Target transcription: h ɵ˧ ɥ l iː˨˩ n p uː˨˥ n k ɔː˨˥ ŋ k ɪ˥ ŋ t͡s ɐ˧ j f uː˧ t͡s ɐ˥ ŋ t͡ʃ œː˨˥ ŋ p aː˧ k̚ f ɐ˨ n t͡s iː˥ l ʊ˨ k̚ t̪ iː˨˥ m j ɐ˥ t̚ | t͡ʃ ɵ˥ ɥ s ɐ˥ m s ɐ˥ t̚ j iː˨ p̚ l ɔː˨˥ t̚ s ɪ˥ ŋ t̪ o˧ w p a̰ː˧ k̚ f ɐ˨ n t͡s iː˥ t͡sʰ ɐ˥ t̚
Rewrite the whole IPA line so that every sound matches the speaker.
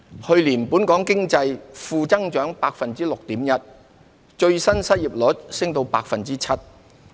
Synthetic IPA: h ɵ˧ ɥ l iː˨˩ n p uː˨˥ n k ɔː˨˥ ŋ k ɪ˥ ŋ t͡s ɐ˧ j f uː˧ t͡s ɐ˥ ŋ t͡ʃ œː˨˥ ŋ p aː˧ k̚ f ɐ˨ n t͡s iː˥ l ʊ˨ k̚ t̪ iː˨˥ m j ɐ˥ t̚ | t͡ʃ ɵ˧ ɥ s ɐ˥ n s ɐ˥ t̚ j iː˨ p̚ l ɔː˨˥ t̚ s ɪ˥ ŋ t̪ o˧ w p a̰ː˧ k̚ f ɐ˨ n t͡s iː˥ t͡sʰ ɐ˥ t̚